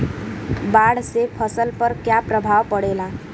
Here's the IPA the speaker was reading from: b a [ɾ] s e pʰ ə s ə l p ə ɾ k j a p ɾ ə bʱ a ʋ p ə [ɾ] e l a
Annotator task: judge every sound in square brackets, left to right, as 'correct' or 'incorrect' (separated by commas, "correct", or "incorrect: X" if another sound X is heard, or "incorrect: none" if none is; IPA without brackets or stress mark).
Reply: incorrect: ɽ, incorrect: ɽ